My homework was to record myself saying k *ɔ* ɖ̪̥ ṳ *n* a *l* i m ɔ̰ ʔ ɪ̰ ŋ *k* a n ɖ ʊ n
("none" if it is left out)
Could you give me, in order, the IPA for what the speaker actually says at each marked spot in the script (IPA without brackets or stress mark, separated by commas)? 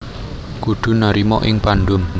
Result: u, n, ɾ, p